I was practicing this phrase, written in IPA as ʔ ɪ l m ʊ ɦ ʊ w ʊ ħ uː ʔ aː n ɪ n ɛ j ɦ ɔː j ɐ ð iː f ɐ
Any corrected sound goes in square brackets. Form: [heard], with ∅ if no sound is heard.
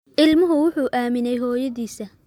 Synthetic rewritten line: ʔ ɪ l m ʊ ɦ ʊ w ʊ ħ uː ʔ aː [m] ɪ n ɛ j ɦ ɔː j ɐ ð iː [s] ɐ